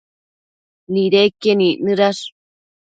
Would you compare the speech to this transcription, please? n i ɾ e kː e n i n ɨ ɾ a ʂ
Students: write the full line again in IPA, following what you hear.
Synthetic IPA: n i ɾ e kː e n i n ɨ ɾ a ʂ